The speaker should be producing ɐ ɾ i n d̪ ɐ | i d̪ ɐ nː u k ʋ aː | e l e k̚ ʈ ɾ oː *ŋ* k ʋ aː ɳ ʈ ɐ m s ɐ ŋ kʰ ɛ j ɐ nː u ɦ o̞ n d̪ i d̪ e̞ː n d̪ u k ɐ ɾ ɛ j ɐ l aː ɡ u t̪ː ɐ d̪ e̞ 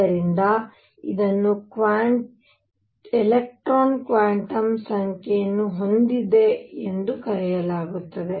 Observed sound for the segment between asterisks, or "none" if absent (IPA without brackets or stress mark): n